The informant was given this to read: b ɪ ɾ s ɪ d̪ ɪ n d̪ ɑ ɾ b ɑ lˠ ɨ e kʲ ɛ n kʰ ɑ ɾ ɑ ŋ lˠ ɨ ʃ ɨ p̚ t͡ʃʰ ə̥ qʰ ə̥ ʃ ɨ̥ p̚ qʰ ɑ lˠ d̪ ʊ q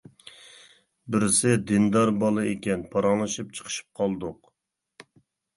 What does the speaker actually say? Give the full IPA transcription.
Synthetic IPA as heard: b ɪ ɾ s ɪ d̪ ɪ n d̪ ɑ ɾ b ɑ lˠ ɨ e kʲ ɛ n pʰ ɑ ɾ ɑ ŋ lˠ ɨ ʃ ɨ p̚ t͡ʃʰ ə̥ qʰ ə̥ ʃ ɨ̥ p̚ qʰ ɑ lˠ d̪ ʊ q